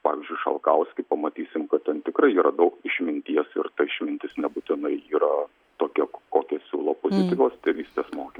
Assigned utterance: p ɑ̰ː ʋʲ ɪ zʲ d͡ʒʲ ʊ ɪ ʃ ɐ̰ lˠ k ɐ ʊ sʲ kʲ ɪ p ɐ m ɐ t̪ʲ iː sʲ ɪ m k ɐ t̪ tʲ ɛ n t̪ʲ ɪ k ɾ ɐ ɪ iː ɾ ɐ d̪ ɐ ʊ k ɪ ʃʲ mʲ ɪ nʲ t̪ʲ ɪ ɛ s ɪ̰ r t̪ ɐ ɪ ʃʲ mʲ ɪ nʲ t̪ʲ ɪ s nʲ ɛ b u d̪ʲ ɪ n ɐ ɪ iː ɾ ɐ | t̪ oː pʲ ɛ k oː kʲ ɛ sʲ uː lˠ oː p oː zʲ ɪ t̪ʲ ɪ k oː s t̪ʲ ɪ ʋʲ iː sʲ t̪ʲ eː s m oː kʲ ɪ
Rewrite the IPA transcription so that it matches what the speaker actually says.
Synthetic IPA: p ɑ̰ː ʋʲ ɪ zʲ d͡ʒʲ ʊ ɪ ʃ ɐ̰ lˠ k ɐ ʊ sʲ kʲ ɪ p ɐ m ɐ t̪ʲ iː sʲ ɪ m k ɐ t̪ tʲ ɛ n t̪ʲ ɪ k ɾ ɐ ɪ iː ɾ ɐ d̪ ɐ ʊ k ɪ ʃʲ mʲ ɪ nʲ t̪ʲ i ɛ s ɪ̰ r t̪ ɐ ɪ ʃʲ mʲ ɪ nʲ t̪ʲ ɪ s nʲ ɛ b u t̪ʲ ɪ n ɐ ɪ iː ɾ ɐ | t̪ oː kʲ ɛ k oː kʲ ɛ sʲ uː lˠ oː p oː zʲ ɪ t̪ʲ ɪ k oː s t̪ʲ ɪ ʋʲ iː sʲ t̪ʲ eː s m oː kʲ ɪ